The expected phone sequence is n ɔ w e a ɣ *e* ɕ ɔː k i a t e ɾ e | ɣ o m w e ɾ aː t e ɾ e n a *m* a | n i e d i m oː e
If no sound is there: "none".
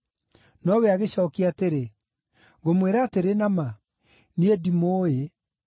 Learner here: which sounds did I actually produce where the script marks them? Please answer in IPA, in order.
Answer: e, m

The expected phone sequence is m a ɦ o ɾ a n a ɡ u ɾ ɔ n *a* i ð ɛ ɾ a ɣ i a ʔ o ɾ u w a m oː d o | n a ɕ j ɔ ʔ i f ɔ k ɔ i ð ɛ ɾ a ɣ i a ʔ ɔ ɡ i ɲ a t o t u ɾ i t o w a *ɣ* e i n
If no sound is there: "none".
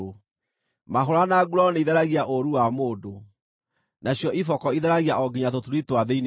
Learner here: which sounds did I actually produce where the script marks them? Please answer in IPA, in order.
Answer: e, ð

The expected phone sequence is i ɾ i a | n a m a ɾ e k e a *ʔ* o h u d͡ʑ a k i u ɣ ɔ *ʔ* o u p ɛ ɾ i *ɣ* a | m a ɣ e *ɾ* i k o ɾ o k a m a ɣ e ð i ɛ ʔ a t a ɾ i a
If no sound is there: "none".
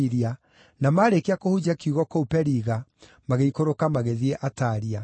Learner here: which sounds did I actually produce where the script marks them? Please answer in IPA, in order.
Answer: k, k, ɣ, none

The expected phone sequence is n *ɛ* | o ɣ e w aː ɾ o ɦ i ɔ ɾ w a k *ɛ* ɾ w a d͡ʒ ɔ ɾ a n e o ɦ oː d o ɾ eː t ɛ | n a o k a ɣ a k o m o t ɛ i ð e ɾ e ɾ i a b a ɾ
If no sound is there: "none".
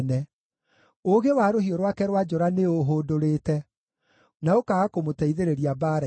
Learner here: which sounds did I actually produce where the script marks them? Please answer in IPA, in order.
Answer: ɛ, ɛ

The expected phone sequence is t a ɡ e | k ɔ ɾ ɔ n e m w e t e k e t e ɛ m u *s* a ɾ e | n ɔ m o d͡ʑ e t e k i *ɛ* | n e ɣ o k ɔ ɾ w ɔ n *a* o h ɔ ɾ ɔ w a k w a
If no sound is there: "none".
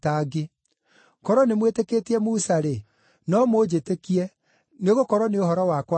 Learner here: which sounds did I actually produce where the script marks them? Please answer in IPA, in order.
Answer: s, ɛ, e

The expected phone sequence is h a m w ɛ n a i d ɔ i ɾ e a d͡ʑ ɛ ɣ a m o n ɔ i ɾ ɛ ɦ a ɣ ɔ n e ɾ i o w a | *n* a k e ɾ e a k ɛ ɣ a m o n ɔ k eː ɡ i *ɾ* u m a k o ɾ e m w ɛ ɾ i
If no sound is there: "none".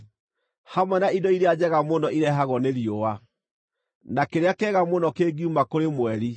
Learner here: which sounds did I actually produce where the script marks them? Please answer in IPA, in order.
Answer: n, none

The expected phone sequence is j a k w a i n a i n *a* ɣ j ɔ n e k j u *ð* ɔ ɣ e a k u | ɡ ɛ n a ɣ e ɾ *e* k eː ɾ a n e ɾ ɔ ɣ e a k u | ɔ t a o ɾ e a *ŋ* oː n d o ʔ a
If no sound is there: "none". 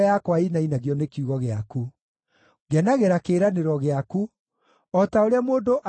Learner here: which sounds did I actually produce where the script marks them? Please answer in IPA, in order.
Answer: a, ɣ, a, m

